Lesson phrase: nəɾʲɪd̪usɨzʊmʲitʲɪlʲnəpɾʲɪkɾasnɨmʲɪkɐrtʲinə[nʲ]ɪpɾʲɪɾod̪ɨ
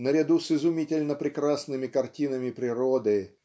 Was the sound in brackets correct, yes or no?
no